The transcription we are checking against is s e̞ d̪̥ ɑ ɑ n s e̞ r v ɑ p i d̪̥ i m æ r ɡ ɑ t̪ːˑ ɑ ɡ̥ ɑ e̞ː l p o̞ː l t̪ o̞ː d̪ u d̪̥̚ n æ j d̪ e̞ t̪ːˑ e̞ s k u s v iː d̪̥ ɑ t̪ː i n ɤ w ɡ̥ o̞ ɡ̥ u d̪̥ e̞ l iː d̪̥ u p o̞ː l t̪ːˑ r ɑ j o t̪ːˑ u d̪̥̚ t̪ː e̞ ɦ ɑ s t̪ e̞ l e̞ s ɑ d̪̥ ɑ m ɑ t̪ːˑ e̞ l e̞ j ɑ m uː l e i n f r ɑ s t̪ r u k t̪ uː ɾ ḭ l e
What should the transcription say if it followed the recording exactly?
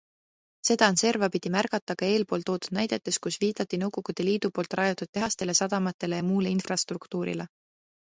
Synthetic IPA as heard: s e̞ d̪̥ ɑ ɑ n s e̞ r v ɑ p i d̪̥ i m æ r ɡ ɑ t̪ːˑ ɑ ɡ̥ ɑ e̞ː l p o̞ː l t̪ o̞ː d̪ u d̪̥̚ n æ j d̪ e̞ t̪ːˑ e̞ s k u s v iː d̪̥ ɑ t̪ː i n ɤ w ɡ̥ o̞ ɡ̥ u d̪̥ e̞ l iː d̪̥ u p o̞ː l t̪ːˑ r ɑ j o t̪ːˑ u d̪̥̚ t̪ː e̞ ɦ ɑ s t̪ e̞ l e̞ s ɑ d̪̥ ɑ m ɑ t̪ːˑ e̞ l e̞ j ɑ m uː l e i n f r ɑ s t̪ r u k t̪ uː ɾ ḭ l e